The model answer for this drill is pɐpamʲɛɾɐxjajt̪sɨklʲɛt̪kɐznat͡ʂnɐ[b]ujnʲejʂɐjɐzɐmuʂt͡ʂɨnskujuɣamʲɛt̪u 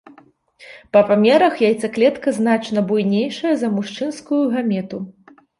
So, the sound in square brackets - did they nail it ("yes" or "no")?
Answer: yes